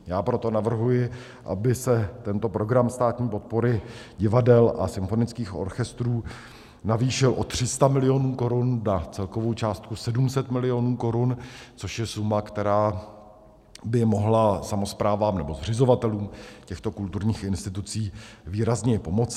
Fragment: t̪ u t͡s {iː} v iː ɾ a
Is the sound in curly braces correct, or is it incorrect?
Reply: correct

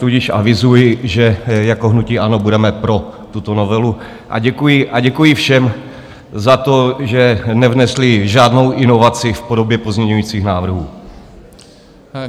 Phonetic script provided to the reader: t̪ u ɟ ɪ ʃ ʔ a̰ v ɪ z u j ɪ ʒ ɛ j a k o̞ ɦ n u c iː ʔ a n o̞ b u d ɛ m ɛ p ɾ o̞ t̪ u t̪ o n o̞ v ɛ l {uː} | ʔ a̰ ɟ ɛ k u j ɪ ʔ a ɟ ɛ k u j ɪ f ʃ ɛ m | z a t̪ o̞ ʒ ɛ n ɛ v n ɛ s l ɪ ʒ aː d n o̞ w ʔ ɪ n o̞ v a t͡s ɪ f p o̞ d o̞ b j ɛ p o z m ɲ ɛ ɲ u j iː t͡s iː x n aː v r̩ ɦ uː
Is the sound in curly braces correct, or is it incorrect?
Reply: incorrect: u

